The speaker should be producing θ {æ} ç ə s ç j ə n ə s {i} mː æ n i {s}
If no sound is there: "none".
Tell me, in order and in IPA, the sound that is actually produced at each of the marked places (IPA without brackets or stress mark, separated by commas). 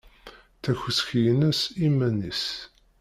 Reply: æ, i, s